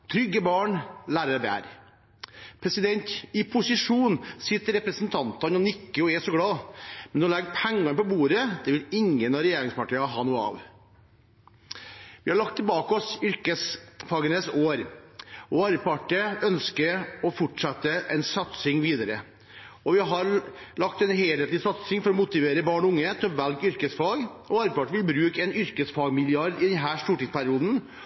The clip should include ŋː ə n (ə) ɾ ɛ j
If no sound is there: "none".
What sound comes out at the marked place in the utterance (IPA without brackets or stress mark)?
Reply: ɑ